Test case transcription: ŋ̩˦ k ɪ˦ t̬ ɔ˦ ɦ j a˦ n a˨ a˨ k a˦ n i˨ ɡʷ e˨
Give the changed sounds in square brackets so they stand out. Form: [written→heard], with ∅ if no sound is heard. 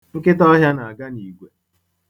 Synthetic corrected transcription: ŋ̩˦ k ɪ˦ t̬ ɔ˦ ɦ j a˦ n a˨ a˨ [k→ɡ] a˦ n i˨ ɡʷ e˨